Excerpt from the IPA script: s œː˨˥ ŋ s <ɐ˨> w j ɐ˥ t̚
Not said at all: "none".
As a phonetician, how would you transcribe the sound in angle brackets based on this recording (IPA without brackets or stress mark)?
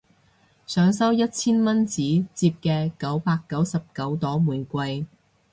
ɐ˥